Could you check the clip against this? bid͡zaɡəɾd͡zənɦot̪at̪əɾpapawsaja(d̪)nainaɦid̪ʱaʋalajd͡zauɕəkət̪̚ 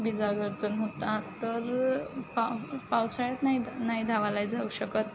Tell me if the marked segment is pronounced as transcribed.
no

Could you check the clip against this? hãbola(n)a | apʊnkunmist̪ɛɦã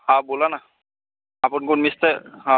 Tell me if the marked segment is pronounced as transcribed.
yes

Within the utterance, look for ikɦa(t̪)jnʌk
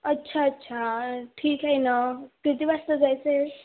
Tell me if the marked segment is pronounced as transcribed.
no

